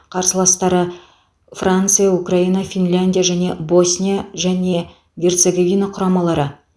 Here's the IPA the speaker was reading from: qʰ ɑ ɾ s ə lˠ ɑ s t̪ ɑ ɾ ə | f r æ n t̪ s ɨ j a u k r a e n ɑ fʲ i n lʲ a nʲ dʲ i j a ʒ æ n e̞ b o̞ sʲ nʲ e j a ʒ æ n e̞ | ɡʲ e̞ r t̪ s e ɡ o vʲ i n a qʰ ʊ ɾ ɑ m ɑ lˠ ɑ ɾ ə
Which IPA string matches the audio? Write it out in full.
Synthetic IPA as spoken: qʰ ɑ ɾ s ə lˠ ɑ s t̪ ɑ ɾ ə | f r a n t̪ s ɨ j a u k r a i n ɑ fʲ i n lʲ a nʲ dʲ i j a ʒ æ n e̞ b o̞ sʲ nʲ i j a ʒ æ n e̞ | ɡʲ e̞ r t̪ s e ɡ o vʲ i n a qʰ ʊ ɾ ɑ m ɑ lˠ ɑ ɾ ə